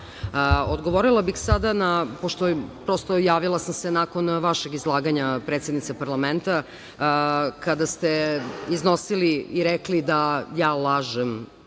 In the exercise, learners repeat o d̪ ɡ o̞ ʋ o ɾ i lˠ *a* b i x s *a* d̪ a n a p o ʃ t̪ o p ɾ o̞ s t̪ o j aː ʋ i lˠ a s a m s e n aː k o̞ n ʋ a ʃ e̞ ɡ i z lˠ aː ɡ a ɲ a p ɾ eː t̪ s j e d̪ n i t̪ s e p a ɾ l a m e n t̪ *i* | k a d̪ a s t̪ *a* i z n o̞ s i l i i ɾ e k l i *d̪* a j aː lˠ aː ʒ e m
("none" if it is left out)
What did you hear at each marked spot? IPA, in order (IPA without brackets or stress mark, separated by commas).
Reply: a, a, a, e, d̪